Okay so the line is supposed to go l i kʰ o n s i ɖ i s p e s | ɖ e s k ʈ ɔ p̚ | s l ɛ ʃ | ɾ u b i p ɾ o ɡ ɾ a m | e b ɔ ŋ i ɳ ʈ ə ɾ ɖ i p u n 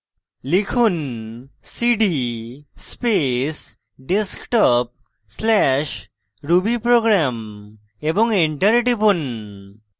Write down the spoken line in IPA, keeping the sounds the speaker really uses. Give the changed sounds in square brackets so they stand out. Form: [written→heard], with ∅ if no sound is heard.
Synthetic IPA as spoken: l i kʰ [o→u] n s i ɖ i s p e s | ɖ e s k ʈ ɔ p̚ | s l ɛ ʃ | ɾ u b i p ɾ o ɡ ɾ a m | e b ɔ ŋ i ɳ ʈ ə ɾ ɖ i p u n